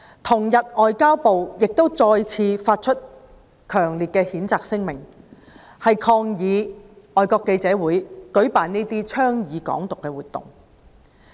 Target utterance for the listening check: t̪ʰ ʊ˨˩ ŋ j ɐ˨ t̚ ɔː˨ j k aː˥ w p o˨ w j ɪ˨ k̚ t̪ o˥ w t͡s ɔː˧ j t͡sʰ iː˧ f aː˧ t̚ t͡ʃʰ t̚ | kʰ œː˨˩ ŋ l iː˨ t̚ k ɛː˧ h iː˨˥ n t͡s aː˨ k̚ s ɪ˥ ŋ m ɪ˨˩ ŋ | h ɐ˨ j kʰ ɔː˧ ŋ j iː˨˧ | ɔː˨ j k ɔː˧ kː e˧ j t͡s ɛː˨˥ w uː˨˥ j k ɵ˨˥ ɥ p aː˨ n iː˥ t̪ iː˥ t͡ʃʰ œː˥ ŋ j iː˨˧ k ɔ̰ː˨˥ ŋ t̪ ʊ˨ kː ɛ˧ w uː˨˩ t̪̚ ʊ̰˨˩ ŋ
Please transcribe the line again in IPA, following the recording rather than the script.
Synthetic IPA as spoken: t̪ʰ ʊ˨˩ ŋ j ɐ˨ t̚ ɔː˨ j k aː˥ w p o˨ w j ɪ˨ k̚ t̪ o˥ w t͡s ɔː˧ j t͡sʰ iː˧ f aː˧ t̚ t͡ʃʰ t̚ | kʰ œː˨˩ ŋ l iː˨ t̚ k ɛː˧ h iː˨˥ n t͡s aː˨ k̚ s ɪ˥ ŋ m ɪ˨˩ ŋ | h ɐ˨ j kʰ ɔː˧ ŋ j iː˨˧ | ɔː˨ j k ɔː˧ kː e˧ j t͡s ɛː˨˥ w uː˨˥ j k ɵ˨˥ ɥ p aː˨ n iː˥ t̪ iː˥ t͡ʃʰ œː˥ ŋ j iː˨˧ k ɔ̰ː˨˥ ŋ t̪ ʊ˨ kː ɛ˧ w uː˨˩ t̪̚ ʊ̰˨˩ ŋ